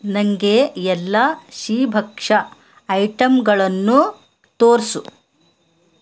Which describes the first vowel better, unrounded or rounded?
unrounded